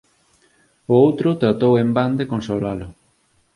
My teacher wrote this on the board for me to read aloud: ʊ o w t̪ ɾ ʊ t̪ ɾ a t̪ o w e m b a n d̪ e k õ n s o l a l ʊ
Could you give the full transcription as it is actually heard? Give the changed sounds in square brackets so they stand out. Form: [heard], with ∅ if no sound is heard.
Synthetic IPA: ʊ o w t̪ ɾ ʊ t̪ ɾ a t̪ o w e m b a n d̪ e k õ n s o l a l ʊ